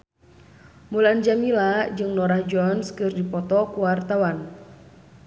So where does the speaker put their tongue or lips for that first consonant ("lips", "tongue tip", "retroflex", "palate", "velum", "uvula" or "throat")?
lips